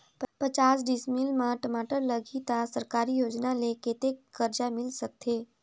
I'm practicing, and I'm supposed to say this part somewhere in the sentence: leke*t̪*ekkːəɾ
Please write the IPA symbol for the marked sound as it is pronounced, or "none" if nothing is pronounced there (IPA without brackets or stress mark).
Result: t̪